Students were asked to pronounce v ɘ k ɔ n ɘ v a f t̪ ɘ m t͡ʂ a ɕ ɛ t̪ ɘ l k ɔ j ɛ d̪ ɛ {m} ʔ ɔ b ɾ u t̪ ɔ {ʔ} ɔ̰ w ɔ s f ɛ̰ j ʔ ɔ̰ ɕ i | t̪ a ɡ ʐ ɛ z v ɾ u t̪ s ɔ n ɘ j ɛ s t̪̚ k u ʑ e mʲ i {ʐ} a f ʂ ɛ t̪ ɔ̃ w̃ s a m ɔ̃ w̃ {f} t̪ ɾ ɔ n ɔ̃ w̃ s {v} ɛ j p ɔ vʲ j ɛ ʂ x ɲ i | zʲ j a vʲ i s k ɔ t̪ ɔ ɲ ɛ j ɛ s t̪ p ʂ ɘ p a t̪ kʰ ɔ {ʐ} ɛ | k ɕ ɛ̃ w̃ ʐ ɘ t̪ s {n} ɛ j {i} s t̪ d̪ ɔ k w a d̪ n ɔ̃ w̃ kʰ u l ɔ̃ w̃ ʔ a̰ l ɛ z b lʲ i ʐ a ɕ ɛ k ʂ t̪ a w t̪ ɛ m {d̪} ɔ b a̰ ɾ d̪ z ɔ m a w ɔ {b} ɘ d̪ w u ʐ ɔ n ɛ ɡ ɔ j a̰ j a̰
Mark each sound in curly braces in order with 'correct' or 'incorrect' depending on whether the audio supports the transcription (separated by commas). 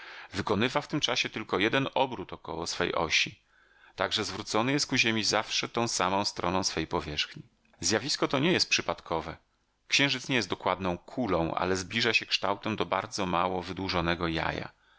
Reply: incorrect, incorrect, incorrect, incorrect, incorrect, incorrect, incorrect, incorrect, correct, incorrect